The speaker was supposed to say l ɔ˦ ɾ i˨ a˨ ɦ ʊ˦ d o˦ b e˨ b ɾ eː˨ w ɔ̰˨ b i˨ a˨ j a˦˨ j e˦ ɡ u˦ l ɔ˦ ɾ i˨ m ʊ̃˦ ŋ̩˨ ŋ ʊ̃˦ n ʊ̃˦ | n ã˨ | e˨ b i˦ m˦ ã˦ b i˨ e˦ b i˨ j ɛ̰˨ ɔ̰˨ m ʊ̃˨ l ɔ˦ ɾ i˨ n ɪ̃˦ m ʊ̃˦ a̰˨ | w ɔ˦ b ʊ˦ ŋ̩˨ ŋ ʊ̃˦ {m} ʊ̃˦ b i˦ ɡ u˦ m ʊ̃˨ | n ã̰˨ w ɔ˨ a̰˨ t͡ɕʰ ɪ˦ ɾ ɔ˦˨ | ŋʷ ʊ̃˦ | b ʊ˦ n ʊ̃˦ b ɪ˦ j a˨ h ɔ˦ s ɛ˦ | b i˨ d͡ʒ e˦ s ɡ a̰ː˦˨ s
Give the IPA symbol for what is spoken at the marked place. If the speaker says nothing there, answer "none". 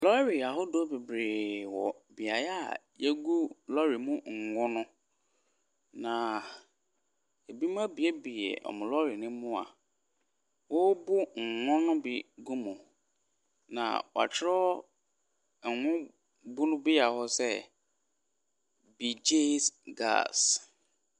n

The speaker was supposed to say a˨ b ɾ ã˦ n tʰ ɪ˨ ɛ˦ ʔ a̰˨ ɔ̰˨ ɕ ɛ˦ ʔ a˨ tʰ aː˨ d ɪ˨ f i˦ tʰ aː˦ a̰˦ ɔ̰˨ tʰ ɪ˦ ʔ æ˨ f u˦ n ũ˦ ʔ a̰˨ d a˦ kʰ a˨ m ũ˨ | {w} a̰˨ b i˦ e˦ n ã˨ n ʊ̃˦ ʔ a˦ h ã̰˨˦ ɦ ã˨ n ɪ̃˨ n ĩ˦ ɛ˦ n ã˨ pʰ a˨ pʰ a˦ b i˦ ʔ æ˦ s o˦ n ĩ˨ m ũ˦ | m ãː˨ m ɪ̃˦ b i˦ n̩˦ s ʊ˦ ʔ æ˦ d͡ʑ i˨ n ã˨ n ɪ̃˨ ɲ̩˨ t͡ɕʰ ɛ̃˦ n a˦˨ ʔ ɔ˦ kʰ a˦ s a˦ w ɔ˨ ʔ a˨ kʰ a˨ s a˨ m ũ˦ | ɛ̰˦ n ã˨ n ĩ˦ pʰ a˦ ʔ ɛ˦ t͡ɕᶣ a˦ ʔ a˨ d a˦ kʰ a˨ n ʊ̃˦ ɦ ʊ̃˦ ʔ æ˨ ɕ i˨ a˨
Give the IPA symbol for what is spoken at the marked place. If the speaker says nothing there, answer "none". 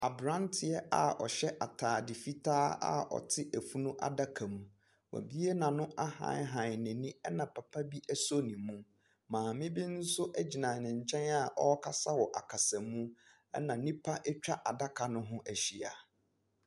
w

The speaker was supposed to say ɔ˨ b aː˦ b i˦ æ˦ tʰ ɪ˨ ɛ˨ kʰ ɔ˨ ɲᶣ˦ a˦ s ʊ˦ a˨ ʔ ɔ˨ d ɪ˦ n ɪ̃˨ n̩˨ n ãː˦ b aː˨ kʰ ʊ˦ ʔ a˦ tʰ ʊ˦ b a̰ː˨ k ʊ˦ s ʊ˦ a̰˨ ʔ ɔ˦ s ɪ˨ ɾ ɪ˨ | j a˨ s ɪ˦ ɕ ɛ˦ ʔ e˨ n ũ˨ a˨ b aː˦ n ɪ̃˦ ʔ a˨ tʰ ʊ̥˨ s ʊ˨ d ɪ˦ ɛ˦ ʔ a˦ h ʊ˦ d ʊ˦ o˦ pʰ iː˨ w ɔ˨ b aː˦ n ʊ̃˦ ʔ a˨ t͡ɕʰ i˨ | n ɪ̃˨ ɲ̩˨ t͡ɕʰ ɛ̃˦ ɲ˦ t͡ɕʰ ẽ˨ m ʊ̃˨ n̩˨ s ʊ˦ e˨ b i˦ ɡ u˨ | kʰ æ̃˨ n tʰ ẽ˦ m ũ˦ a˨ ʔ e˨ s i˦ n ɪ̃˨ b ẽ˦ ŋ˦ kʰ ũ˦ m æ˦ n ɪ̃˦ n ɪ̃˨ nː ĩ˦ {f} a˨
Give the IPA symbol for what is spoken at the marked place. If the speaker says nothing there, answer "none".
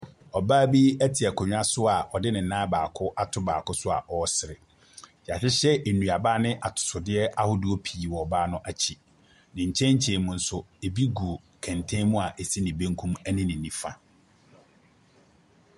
f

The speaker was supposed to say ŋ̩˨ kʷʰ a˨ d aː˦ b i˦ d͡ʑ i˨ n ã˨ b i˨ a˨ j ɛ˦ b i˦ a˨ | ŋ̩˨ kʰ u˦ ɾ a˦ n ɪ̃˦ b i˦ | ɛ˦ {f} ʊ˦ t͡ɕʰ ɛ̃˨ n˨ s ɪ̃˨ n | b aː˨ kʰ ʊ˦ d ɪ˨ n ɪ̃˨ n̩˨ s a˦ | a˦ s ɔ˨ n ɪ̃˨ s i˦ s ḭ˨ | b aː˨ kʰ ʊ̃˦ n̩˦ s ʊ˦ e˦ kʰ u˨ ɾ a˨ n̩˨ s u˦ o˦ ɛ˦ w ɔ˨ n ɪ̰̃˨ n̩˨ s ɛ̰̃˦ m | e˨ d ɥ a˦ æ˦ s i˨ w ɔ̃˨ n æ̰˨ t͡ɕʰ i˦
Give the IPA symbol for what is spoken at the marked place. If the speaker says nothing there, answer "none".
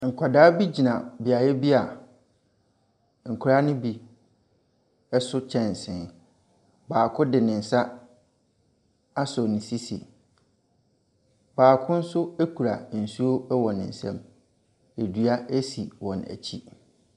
s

